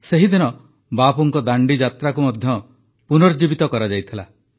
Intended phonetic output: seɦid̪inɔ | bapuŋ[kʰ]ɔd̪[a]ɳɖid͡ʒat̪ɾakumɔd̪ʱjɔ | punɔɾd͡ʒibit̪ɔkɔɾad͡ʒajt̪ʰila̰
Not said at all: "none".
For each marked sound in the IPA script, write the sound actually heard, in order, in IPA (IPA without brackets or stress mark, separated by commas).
k, a